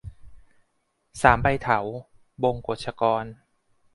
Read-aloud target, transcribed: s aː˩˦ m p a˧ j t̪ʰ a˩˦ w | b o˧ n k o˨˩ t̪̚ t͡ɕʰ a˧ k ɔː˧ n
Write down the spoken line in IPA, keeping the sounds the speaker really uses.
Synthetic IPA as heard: s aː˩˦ m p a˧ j t̪ʰ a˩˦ w | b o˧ ŋ k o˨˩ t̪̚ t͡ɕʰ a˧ k ɔː˧ n

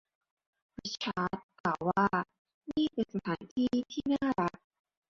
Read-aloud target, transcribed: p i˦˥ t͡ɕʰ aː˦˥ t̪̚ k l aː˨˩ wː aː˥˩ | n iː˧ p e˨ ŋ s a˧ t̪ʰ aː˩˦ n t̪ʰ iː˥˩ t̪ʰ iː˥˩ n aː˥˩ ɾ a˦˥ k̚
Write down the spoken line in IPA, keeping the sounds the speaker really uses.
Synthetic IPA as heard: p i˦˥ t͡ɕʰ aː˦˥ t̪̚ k l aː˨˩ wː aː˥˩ | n iː˥˩ p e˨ n s a˧ t̪ʰ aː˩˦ n t̪ʰ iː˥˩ t̪ʰ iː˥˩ n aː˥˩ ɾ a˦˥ k̚

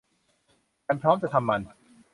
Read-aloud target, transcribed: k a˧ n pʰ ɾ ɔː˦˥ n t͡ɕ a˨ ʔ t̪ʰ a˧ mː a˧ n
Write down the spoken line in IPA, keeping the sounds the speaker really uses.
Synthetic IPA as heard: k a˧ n pʰ ɾ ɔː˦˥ m t͡ɕ a˨ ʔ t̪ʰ a˧ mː a˧ n

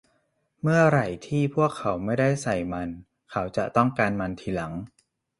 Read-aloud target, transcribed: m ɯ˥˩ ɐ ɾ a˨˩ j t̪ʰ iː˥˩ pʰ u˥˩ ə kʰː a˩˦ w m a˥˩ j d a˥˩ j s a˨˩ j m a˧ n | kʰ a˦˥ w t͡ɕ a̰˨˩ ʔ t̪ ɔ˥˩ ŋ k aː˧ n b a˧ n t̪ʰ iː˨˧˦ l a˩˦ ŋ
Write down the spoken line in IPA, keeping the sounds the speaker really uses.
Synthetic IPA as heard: m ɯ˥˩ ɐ ɾ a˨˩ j t̪ʰ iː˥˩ pʰ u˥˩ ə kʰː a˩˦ w m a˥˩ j d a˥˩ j s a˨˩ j m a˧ n | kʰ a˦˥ w t͡ɕ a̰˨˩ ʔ t̪ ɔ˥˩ ŋ k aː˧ n m a˧ n t̪ʰ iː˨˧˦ l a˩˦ ŋ

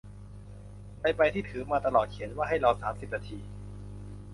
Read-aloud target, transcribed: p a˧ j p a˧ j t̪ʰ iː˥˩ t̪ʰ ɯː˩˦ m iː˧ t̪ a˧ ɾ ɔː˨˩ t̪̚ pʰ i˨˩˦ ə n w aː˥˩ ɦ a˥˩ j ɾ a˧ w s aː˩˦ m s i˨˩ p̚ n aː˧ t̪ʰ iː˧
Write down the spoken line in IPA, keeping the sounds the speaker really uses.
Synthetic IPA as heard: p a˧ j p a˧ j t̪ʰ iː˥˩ t̪ʰ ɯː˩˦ m aː˧ t̪ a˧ l ɔː˨˩ t̪̚ kʰ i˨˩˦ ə n w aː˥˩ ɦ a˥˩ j ɾ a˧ w s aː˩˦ m s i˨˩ p̚ n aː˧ t̪ʰ iː˧

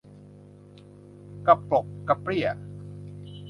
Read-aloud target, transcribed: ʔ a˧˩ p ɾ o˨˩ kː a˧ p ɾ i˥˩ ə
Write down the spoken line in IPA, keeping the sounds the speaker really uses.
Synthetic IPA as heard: k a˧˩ p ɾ o˨˩ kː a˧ p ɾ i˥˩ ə

